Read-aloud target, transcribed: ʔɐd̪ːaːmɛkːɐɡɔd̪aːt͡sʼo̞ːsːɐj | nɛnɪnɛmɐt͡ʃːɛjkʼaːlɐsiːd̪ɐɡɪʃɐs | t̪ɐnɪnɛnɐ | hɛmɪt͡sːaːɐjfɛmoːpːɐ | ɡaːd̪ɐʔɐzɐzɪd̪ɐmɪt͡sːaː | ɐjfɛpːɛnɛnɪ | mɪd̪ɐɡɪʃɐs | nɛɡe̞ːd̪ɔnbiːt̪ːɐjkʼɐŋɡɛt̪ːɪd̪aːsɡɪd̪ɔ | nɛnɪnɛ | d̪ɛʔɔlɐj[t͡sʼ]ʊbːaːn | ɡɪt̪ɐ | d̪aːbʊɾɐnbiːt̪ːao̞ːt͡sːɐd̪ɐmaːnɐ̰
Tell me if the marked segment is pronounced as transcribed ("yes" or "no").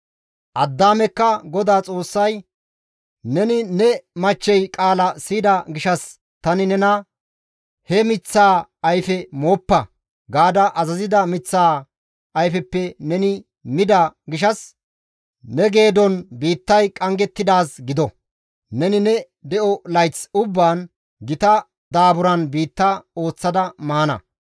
no